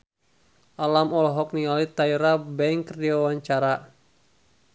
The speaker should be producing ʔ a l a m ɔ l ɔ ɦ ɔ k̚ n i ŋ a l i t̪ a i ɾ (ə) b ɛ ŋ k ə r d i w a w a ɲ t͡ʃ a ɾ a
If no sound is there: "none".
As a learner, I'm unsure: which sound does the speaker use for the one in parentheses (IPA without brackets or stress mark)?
a